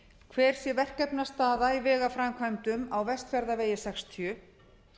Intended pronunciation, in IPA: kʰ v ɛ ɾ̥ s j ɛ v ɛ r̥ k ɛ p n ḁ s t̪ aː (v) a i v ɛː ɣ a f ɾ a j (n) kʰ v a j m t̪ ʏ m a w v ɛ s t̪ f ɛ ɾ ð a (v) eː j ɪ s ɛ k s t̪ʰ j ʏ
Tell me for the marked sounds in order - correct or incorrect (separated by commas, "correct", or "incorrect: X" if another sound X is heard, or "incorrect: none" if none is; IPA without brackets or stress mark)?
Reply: incorrect: ð, incorrect: m, correct